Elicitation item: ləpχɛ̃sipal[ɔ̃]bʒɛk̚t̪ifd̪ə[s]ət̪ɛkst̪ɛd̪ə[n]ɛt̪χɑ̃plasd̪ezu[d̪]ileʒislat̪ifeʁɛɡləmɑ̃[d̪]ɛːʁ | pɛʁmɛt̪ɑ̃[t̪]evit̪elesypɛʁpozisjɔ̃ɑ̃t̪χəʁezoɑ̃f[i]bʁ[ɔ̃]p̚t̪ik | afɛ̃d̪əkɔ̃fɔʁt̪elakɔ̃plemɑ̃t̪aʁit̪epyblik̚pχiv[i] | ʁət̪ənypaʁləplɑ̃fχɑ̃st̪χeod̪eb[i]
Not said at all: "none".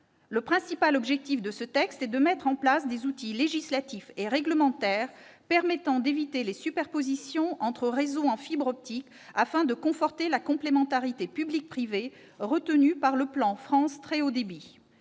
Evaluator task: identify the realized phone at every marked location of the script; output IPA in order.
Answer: ɔ, s, m, t̪, t̪, d̪, i, ɔ, e, i

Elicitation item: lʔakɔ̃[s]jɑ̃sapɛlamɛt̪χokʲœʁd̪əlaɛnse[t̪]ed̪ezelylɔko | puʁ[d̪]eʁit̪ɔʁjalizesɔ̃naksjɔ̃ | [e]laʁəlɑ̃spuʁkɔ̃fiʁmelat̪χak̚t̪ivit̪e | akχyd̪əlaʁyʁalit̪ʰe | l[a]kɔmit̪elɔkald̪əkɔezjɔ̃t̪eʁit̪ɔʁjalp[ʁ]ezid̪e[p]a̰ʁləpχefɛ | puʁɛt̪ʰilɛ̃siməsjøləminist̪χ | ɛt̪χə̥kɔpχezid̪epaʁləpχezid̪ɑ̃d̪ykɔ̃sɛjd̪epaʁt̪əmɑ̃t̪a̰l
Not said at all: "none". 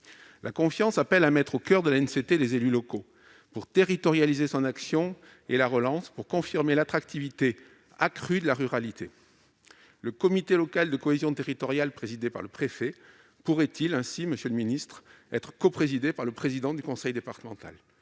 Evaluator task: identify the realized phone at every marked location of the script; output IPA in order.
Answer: f, t̪, t̪, e, ə, χ, p

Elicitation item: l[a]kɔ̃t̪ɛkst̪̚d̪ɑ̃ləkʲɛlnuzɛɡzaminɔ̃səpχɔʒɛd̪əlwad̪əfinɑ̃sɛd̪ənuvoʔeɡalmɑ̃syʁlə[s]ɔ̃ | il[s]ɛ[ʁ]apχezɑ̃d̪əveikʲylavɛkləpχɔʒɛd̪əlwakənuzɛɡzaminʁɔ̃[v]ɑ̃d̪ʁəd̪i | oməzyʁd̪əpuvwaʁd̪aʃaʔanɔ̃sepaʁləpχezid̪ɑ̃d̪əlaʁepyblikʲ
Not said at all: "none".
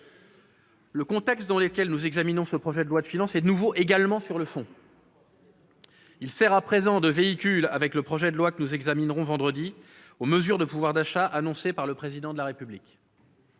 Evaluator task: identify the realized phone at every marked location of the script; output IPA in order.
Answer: ə, f, s, ʁ, v

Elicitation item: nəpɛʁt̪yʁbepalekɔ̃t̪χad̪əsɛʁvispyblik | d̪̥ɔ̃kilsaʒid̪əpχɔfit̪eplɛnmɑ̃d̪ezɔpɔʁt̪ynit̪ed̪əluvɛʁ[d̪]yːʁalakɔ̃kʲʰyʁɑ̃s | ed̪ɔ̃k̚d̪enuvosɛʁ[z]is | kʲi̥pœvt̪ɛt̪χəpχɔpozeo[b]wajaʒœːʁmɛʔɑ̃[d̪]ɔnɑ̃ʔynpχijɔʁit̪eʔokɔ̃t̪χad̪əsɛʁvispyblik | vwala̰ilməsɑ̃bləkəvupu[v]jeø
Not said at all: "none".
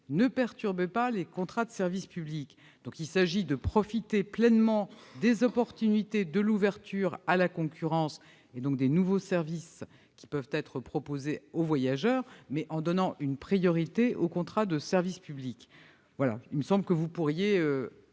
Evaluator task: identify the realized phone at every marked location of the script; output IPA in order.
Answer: t̪, v, v, d̪, ʁ

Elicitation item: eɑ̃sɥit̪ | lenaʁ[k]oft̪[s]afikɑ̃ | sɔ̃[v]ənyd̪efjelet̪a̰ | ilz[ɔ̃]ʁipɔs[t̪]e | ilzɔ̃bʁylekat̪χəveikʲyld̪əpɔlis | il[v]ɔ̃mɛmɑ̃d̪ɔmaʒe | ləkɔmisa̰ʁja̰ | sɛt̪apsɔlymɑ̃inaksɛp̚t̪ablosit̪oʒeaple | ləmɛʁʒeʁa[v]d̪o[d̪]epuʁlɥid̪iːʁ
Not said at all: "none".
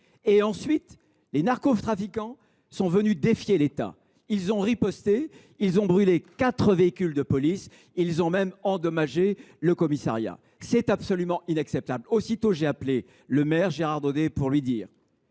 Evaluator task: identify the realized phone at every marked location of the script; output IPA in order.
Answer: k, χ, v, ɔ̃, t̪, z, ʁ, d̪

